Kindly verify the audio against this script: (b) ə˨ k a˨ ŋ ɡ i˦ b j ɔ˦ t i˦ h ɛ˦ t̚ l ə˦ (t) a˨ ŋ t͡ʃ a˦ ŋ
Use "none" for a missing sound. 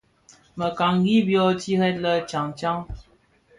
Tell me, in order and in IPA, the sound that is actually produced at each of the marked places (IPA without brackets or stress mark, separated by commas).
m, t͡ʃ